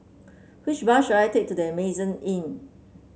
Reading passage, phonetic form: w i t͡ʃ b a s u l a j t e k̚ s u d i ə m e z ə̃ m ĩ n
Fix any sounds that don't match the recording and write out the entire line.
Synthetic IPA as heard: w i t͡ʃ b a ʃ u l a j t e k̚ t u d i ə m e z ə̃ n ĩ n

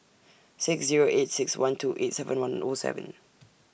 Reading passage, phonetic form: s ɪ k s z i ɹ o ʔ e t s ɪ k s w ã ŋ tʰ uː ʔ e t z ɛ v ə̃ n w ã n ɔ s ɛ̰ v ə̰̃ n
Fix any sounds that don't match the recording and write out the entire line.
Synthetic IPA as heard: s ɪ k s z i ɹ o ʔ e t s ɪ k s w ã n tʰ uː ʔ e t s ɛ v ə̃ n w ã n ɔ s ɛ̰ v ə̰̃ n

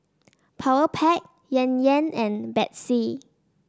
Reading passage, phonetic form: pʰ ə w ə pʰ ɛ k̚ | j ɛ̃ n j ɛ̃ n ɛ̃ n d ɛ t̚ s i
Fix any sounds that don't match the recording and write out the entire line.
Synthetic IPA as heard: pʰ a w ə pʰ ɛ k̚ | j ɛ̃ n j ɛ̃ n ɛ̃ n b ɛ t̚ s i

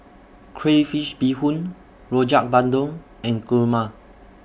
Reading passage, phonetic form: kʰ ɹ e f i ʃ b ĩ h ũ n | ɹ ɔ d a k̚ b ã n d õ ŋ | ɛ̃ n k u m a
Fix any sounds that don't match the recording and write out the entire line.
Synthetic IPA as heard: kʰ ɹ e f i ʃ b i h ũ n | ɹ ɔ d͡ʒ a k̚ b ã n d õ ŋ | ɛ̃ n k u m a

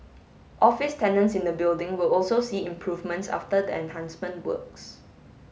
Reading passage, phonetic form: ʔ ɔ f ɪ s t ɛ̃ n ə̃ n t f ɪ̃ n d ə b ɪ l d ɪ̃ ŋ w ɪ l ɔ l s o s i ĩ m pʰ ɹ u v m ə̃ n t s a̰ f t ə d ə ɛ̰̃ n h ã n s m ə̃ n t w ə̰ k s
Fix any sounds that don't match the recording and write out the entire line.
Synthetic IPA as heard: ʔ ɔ f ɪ s t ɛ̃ n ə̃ n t s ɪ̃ n d ə b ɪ l d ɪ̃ ŋ w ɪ l ɔ l s o s i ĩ m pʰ ɹ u v m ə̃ n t s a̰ f t ə d ə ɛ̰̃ n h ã n s m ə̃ n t w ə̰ k s

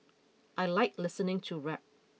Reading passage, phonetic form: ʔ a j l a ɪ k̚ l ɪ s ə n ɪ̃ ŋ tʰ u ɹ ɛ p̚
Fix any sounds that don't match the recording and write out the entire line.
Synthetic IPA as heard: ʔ a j l a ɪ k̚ l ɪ s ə n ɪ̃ ŋ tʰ u ɹ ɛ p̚

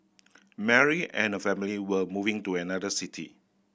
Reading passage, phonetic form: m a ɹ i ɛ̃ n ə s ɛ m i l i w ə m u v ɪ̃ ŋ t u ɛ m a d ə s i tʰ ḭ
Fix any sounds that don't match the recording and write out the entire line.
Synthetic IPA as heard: m ɛ ɹ i ɛ̃ n ə f ɛ m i l i w ə m u v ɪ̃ ŋ t u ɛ n a d ə s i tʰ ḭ

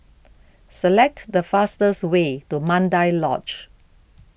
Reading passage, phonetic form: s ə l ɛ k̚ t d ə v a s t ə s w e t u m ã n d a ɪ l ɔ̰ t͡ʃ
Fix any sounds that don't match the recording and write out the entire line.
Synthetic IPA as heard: s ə l ɛ k̚ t d ə f a s t ə s w e t u m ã n d a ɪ l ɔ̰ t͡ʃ

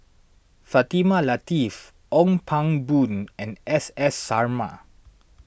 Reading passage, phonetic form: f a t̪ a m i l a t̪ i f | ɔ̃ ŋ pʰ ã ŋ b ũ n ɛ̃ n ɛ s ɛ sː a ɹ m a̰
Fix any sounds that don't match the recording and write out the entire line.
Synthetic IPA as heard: f a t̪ i m a l a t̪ i f | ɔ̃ ŋ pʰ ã ŋ b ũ n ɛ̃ n ɛ s ɛ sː a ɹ m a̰

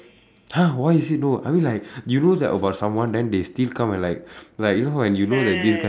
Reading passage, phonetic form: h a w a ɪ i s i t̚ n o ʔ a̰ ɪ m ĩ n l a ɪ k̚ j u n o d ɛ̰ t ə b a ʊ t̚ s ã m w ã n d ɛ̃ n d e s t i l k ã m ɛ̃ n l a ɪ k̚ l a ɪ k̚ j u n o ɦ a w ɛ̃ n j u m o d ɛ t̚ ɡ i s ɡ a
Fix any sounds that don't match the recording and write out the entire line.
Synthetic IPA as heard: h a w a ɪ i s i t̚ n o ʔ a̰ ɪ m ĩ n l a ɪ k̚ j u n o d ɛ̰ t ə b a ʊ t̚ s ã m w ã n d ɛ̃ n d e s t i l k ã m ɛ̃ n l a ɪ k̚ l a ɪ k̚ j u n o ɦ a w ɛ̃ n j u n o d ɛ t̚ d i s ɡ a

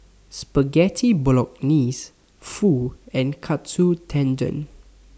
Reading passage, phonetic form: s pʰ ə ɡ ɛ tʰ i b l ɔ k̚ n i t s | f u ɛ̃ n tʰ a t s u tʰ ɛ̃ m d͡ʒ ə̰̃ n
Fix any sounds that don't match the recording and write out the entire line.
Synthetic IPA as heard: s p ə ɡ ɛ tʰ i b l ɔ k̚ n i s | f u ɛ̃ n kʰ a t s u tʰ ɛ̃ n d͡ʒ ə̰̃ n

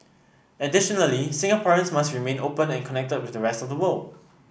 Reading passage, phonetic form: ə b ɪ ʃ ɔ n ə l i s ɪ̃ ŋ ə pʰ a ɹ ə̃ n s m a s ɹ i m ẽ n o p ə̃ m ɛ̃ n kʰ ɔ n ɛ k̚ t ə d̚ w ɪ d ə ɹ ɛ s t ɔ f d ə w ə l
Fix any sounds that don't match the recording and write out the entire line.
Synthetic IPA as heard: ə d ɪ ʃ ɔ n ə l i s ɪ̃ ŋ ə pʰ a ɹ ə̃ n s m a s ɹ i m ẽ n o p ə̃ n ɛ̃ n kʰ ɔ n ɛ k̚ t ə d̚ w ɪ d ə ɹ ɛ s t ɔ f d ə w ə l

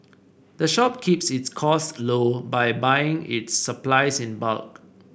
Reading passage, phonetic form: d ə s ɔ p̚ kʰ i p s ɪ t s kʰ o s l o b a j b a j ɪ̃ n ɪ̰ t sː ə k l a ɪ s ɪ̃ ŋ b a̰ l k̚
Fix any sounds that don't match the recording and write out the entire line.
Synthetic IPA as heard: d ə ʃ ɔ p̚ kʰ i p s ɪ t s kʰ ɔ s l o b a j b a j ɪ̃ ŋ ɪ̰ t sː ə p l a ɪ s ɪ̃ n b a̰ l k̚

